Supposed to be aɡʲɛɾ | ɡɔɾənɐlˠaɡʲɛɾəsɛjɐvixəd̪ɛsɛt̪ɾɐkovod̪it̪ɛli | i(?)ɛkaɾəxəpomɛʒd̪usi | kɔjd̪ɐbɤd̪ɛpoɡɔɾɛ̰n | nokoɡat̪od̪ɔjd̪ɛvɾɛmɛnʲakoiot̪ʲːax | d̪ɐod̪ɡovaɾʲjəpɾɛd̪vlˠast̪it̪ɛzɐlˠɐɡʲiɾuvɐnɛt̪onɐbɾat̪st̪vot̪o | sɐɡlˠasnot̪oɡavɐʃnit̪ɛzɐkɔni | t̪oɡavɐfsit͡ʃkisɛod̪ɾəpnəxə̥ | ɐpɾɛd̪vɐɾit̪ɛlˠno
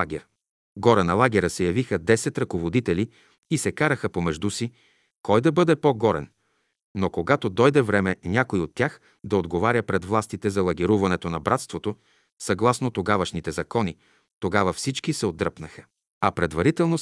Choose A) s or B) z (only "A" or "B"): A